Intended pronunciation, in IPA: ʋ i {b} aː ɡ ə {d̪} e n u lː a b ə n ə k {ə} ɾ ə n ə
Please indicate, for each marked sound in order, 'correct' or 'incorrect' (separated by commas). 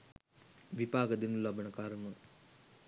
incorrect, correct, incorrect